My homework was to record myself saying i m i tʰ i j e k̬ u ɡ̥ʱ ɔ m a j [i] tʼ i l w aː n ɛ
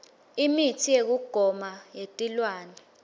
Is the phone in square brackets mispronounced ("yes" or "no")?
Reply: yes